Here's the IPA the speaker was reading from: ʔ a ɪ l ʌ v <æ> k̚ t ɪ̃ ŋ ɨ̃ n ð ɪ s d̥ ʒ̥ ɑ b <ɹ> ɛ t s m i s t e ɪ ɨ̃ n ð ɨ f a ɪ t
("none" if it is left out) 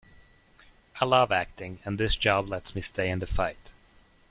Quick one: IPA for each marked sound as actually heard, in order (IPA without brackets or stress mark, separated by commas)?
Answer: æ, l